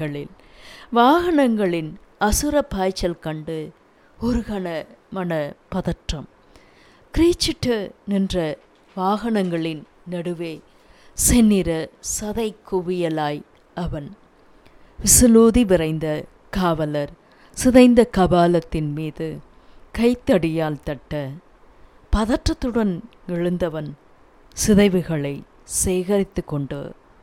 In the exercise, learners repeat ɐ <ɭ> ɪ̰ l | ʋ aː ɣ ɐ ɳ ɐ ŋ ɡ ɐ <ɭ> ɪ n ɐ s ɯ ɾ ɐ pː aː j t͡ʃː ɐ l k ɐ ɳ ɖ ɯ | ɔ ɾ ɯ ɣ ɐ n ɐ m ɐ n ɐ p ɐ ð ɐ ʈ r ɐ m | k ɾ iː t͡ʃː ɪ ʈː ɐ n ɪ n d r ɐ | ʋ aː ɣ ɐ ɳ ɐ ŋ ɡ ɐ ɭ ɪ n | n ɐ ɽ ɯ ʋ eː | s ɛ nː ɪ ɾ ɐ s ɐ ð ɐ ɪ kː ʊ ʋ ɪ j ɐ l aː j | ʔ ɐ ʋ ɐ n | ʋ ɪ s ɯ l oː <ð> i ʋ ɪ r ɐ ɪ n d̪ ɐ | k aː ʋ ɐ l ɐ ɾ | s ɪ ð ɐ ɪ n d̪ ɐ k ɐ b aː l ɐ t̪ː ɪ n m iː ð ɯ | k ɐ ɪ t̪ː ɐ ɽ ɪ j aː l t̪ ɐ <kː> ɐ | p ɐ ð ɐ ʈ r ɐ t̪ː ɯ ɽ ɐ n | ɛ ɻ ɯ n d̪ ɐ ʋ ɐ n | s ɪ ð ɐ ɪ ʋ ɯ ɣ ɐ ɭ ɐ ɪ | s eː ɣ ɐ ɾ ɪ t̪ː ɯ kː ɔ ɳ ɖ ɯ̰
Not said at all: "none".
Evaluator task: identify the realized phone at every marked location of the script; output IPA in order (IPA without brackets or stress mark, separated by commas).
ɭ, ɭ, ð, ʈː